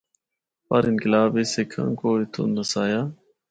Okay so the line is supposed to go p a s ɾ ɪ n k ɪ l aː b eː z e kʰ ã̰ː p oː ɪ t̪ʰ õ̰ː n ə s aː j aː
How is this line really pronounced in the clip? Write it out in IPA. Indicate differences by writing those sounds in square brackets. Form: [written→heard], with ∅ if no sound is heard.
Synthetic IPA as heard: p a [s→∅] ɾ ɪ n k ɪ l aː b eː [z→s] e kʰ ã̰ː [p→k] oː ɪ t̪ʰ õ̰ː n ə s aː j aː